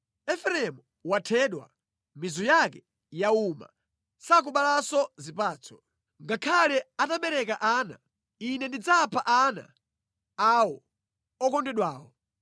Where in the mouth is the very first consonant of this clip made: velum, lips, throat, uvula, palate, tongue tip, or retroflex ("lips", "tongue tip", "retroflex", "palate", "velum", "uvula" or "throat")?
lips